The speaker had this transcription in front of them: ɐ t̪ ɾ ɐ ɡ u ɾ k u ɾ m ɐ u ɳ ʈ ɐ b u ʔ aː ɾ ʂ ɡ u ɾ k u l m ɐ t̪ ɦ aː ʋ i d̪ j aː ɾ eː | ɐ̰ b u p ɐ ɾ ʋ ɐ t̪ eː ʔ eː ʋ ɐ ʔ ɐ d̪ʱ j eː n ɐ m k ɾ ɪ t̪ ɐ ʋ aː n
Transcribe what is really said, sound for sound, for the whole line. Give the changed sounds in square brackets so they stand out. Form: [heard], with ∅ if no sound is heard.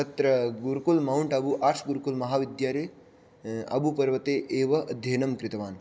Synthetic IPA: ɐ t̪ ɾ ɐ ɡ u ɾ k u [l] m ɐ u ɳ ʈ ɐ b u ʔ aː ɾ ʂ ɡ u ɾ k u l m ɐ [∅] ɦ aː ʋ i d̪ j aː ɾ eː | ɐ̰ b u p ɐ ɾ ʋ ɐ t̪ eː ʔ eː ʋ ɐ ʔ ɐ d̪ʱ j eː n ɐ m k ɾ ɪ t̪ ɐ ʋ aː n